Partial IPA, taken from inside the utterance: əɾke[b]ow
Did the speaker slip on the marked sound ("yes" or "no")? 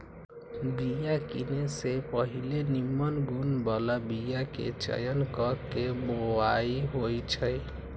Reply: no